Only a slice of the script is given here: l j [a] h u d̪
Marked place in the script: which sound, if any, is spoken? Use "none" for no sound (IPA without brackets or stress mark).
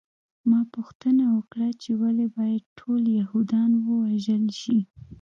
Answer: a